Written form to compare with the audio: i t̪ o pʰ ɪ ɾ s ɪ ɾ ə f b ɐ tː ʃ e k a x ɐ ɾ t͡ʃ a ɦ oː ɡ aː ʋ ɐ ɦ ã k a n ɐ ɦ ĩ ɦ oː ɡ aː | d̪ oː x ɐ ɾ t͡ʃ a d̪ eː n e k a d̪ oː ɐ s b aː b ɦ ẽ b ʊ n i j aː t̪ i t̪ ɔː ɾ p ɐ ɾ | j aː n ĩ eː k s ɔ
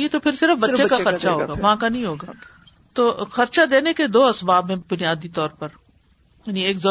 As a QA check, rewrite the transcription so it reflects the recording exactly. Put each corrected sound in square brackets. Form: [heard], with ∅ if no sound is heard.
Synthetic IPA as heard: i t̪ o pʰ ɪ ɾ s ɪ ɾ ə f b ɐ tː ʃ e k a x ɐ ɾ t͡ʃ a ɦ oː ɡ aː ʋ ɐ ɦ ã k a n ɐ ɦ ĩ ɦ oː ɡ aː | [t̪] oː x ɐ ɾ t͡ʃ a d̪ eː n e k [e] d̪ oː ɐ s b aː b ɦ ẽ b ʊ n i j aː [d̪] i t̪ ɔː ɾ p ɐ ɾ | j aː n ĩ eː k [z] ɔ